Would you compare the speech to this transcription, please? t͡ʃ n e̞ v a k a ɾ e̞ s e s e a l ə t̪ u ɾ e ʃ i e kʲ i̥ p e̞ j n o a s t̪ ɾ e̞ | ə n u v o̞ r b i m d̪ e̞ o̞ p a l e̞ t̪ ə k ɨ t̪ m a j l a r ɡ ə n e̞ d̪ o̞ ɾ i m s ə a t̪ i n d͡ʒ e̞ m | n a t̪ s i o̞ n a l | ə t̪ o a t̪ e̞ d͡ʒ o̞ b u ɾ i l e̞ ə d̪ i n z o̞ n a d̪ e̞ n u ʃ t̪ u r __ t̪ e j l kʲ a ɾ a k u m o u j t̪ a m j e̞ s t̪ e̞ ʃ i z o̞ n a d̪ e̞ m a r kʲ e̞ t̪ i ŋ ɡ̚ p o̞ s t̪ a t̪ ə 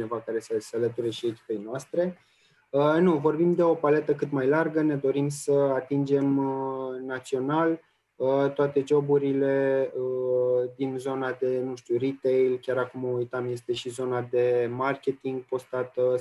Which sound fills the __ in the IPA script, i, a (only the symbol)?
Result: i